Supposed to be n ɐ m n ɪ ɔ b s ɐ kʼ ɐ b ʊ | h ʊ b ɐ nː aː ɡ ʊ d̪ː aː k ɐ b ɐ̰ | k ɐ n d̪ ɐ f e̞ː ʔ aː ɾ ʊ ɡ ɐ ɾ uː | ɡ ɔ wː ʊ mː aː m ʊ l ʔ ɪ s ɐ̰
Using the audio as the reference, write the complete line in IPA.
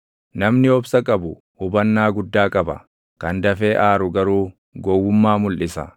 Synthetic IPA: n ɐ m n ɪ ɔ b s ɐ kʼ ɐ b ʊ | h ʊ b ɐ nː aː ɡ ʊ d̪ː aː kʼ ɐ b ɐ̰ | k ɐ n d̪ ɐ f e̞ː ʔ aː ɾ ʊ ɡ ɐ ɾ uː | ɡ ɔ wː ʊ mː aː m ʊ l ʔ ɪ s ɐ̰